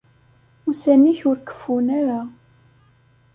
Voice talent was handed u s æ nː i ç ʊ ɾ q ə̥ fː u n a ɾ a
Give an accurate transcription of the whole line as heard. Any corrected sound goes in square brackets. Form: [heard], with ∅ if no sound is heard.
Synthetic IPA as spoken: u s æ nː i ç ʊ ɾ [k] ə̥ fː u n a ɾ a